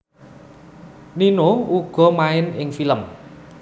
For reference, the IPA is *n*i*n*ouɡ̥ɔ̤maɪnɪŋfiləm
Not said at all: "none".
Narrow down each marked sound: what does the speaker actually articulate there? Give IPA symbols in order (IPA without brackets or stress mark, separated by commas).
n, n